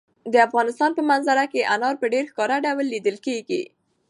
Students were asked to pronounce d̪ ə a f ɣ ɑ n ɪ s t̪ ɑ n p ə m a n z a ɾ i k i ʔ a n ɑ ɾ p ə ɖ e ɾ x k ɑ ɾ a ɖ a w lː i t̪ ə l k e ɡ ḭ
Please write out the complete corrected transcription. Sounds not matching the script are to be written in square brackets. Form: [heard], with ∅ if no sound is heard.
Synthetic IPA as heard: d̪ ə a f ɣ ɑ n ɪ s t̪ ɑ n p ə m a n z a ɾ [a] k [e] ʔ a n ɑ ɾ p ə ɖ e ɾ x k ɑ ɾ a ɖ a w lː i [d̪] ə l k e ɡ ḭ